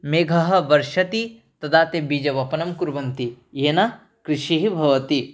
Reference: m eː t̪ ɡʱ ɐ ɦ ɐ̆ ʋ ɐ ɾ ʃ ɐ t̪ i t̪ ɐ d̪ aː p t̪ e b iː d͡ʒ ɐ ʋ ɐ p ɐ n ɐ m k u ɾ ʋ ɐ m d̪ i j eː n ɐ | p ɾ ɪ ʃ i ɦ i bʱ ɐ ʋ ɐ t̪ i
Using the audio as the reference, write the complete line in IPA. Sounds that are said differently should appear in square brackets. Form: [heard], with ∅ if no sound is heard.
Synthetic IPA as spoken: m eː [∅] ɡʱ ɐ ɦ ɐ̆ ʋ ɐ ɾ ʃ ɐ t̪ i t̪ ɐ d̪ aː [∅] t̪ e b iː d͡ʒ ɐ ʋ ɐ p ɐ n ɐ m k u ɾ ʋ ɐ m [t̪] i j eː n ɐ | [k] ɾ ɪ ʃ i ɦ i bʱ ɐ ʋ ɐ t̪ i